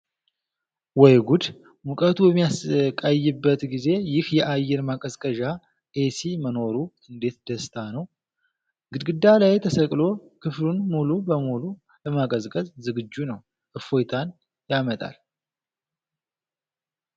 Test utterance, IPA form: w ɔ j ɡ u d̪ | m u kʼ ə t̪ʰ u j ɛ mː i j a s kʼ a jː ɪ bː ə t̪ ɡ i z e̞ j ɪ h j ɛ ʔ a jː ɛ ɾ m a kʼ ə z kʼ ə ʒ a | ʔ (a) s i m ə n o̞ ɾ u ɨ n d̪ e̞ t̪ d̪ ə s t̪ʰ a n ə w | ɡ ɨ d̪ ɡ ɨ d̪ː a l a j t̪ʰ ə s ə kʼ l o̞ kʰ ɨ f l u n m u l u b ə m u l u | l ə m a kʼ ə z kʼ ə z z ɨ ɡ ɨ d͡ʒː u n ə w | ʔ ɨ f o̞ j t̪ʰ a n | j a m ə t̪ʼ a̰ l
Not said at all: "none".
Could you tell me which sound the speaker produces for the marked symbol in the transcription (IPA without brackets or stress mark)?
e